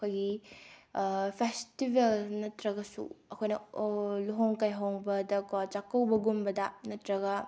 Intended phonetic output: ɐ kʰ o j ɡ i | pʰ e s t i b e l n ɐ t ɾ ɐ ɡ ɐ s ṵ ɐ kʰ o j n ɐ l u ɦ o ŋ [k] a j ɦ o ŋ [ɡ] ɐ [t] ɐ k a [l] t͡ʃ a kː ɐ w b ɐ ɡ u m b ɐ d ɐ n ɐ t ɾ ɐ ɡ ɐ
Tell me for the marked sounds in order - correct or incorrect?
correct, incorrect: b, incorrect: d, incorrect: none

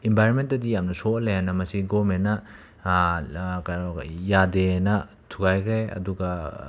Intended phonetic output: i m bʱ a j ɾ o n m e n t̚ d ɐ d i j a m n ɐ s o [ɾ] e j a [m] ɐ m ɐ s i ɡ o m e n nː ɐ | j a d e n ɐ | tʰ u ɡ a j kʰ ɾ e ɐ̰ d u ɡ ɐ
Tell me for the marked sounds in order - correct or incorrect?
incorrect: l, incorrect: n

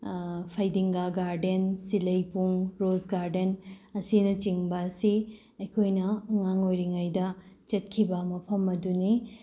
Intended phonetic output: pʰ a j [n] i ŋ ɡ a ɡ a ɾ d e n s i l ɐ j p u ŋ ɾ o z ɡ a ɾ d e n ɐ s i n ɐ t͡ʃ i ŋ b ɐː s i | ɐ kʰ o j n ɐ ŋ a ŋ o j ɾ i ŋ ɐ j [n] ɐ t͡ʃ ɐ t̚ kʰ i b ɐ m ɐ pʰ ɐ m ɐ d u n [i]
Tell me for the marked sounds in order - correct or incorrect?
incorrect: d, incorrect: d, correct

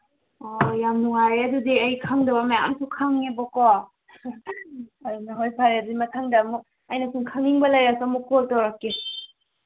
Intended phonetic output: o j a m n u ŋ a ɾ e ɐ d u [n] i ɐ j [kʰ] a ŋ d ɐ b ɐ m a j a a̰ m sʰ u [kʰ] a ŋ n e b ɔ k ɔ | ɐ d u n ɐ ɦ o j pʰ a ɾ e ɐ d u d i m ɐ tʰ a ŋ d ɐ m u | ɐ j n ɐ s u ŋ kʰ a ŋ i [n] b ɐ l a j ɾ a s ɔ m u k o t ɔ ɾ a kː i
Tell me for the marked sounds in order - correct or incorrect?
incorrect: d, correct, correct, incorrect: ŋ

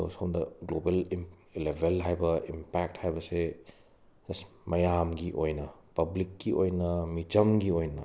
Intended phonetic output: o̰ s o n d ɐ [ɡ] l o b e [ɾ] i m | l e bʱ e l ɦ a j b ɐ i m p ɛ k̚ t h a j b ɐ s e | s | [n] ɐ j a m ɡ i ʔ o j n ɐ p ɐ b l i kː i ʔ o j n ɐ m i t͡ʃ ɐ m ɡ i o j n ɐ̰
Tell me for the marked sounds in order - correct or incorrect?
correct, incorrect: l, incorrect: m

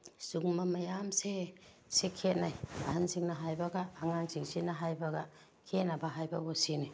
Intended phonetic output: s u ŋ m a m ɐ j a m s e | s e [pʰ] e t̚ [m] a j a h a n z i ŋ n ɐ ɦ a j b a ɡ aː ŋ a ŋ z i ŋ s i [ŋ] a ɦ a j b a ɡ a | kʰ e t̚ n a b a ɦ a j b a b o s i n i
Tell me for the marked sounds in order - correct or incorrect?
incorrect: kʰ, incorrect: n, incorrect: n

